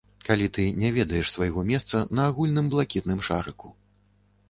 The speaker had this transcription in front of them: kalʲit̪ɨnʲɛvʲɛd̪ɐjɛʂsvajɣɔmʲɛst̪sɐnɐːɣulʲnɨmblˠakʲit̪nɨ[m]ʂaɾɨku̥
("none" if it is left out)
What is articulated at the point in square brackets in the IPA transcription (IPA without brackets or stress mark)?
m